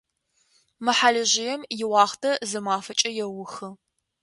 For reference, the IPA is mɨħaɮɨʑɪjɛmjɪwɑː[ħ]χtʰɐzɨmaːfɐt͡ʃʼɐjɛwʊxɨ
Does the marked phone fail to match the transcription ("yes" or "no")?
yes